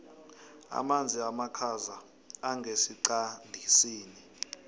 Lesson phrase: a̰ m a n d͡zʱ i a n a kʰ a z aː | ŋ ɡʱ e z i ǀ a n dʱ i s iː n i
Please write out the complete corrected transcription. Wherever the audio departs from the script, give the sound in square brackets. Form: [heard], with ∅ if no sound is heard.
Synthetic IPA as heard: a̰ m a n d͡zʱ i a [m] a kʰ a z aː | ŋ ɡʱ e [s] i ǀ a n dʱ i s iː n i